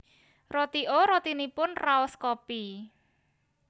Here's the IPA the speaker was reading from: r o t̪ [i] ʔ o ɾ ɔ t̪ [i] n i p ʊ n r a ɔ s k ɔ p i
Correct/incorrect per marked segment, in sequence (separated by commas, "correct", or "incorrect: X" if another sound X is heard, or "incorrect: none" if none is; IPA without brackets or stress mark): correct, correct